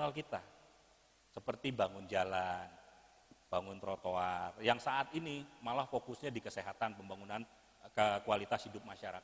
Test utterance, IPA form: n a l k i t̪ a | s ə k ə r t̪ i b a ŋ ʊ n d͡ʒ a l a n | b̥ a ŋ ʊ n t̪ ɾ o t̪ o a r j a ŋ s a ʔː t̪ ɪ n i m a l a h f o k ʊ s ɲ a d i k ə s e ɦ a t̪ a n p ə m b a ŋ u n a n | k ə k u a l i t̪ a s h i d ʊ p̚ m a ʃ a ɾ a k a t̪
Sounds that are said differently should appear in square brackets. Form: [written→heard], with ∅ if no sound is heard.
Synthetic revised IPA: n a l k i t̪ a | s ə [k→p] ə r t̪ i b a ŋ ʊ n d͡ʒ a l a n | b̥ a ŋ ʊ n t̪ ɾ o t̪ o a r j a ŋ s a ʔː t̪ [ɪ→i] n i m a l a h f o k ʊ s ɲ a d i k ə s e ɦ a t̪ a n p ə m b a ŋ u n a n | k ə k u a l i t̪ a s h i d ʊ p̚ m a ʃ a ɾ a k a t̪